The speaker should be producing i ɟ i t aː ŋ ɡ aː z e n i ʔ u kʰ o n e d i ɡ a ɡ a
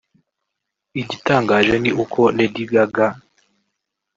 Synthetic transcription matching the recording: i ɟ i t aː ŋ ɡ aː ʒ e n i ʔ u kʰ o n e d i ɡ a ɡ a